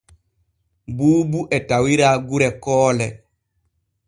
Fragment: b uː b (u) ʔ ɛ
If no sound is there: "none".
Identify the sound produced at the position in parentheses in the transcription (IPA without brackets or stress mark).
u